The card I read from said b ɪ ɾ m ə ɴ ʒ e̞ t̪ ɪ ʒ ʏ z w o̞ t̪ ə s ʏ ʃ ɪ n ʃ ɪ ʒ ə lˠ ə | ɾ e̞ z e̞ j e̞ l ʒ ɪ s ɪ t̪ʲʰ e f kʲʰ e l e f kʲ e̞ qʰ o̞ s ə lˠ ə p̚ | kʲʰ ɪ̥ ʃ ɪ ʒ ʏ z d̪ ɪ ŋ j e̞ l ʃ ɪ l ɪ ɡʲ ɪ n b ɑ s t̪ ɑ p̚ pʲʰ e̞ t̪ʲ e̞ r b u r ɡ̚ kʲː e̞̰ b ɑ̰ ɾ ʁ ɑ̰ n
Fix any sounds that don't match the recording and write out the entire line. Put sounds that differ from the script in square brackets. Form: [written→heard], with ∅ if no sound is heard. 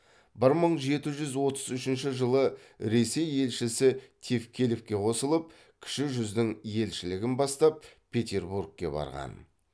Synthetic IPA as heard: b ɪ ɾ m ə ɴ ʒ e̞ t̪ ɪ ʒ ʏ z w o̞ t̪ ə [s→z] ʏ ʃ ɪ n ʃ ɪ ʒ ə lˠ ə | ɾ e̞ [z→s] e̞ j e̞ l [ʒ→ʃ] ɪ s ɪ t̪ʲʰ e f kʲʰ e l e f kʲ e̞ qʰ o̞ s ə lˠ ə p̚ | kʲʰ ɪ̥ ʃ ɪ ʒ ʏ z d̪ ɪ ŋ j e̞ l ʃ ɪ l ɪ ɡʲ ɪ n b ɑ s t̪ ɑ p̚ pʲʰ e̞ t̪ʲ e̞ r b u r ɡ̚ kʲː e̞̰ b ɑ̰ ɾ ʁ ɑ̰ n